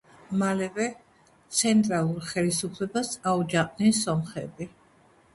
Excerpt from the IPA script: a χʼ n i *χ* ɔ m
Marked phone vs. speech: incorrect: s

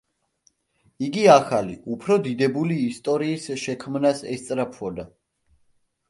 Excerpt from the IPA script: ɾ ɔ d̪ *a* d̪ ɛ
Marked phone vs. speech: incorrect: i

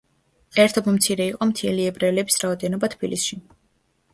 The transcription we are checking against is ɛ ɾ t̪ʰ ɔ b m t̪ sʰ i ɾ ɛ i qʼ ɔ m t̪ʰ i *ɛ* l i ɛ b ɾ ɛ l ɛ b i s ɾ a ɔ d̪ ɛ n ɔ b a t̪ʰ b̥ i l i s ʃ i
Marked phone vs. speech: correct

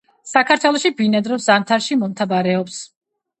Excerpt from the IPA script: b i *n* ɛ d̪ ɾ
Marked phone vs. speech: correct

